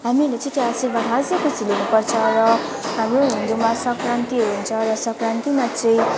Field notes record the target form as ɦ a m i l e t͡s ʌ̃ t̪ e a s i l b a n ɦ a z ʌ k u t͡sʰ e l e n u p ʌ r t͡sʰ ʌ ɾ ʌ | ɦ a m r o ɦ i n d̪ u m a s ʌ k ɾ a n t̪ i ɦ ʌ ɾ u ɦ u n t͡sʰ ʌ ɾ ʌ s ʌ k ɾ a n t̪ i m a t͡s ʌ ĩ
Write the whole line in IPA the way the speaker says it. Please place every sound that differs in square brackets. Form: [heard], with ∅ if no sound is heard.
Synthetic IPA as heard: ɦ a m i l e t͡s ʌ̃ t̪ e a s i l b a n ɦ a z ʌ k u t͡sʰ [i] l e n u p ʌ r t͡sʰ ʌ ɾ ʌ | ɦ a m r o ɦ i n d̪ u m a s ʌ k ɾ a n t̪ i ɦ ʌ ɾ u ɦ u n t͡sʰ ʌ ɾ ʌ s ʌ k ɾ a n t̪ i m a t͡s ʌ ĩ